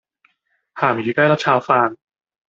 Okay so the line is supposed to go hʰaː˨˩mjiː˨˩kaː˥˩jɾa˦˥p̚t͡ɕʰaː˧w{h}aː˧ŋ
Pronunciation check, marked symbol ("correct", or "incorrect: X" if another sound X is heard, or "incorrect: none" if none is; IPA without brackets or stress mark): incorrect: f